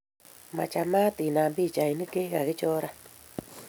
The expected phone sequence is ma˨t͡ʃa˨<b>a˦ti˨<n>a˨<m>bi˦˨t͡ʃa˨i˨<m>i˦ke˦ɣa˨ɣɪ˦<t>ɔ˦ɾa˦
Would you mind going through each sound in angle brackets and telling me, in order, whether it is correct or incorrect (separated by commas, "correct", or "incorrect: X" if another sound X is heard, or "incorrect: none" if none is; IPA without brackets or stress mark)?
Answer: incorrect: m, correct, correct, incorrect: n, incorrect: t͡ʃ